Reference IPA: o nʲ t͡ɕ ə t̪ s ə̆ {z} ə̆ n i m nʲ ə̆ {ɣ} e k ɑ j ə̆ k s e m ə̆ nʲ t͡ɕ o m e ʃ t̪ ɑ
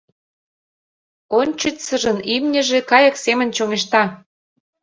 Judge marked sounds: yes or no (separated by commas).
no, no